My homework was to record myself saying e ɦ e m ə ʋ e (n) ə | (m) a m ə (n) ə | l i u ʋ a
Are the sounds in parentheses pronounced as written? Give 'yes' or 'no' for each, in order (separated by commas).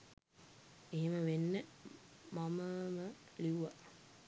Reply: no, yes, no